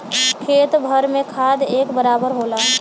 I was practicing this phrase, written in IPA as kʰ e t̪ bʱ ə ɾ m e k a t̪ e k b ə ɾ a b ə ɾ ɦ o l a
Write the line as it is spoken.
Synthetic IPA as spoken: kʰ e t̪ bʱ ə ɾ m e kʰ a d̪ e k b ə ɾ a b ə ɾ ɦ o l a